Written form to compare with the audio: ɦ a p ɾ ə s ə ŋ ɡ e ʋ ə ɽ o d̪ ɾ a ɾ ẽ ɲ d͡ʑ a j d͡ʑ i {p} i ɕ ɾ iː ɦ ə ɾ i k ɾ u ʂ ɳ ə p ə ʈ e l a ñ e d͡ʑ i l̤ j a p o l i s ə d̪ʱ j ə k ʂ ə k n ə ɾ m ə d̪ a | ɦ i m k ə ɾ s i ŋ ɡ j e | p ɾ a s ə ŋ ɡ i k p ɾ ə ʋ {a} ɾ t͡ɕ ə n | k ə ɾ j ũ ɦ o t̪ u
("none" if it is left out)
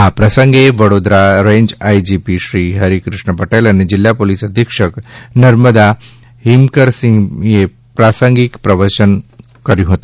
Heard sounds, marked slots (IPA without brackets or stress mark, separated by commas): p, ə